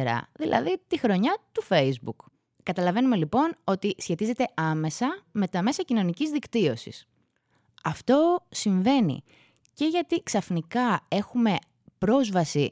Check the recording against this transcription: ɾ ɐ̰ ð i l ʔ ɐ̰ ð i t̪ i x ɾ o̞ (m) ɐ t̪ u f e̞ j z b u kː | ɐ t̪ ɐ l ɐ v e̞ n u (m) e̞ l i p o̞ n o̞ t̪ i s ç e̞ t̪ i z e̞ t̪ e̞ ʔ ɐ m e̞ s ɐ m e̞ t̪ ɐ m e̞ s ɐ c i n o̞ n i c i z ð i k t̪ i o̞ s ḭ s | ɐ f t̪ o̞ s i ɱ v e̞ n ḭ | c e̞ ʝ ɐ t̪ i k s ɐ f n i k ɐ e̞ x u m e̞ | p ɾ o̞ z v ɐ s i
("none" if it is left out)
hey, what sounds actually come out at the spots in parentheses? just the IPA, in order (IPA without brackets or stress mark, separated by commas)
ɲ, m